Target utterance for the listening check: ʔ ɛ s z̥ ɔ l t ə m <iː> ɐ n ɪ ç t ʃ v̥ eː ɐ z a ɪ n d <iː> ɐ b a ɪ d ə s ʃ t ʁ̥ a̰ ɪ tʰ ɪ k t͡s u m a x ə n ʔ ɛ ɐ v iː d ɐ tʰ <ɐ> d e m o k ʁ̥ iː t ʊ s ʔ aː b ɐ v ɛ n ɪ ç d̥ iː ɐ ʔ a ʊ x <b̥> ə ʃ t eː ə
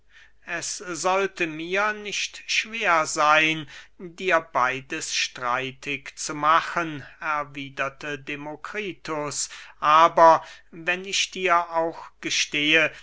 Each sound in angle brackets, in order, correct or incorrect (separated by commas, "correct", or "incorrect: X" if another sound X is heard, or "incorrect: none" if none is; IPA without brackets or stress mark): correct, correct, incorrect: ə, incorrect: ɡ̥